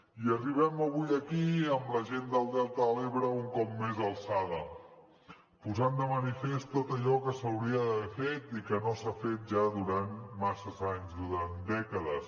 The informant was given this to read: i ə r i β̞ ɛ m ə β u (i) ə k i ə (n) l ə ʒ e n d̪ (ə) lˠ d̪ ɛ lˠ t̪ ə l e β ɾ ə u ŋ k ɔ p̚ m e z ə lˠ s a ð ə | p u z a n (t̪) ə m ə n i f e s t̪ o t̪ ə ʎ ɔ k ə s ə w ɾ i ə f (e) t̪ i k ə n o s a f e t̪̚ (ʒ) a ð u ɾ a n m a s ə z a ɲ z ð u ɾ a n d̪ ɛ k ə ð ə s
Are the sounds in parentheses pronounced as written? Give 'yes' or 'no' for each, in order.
no, no, yes, no, yes, yes

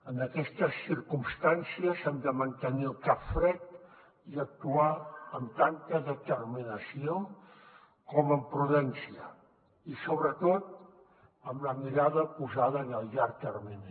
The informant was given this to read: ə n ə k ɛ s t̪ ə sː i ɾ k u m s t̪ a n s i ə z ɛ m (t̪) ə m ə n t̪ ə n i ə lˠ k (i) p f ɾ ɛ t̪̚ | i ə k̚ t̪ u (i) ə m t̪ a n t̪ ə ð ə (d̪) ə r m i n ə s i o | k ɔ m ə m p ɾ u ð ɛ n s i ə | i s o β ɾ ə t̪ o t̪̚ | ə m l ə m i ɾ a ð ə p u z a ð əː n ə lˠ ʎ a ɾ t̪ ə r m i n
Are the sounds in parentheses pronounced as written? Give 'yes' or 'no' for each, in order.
no, no, no, no

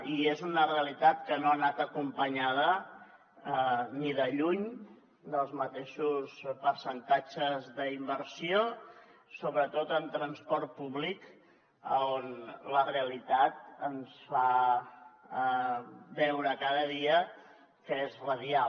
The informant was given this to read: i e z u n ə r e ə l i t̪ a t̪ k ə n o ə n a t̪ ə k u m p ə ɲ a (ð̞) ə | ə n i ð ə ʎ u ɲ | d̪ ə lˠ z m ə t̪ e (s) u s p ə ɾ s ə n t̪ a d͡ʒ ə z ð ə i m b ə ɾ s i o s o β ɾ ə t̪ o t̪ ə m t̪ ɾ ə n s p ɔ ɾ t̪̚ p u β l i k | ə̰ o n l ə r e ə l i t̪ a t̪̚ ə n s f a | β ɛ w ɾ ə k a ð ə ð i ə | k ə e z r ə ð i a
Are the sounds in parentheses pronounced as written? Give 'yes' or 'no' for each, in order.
yes, no

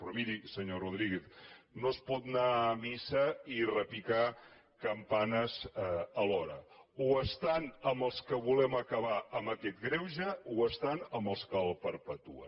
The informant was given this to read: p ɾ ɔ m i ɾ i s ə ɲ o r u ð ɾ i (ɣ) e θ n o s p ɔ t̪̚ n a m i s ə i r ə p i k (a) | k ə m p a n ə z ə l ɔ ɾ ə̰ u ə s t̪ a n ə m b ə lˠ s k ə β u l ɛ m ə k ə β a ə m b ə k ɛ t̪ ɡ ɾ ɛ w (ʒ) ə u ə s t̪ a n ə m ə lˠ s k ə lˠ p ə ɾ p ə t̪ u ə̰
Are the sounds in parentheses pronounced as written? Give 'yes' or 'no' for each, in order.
yes, yes, yes

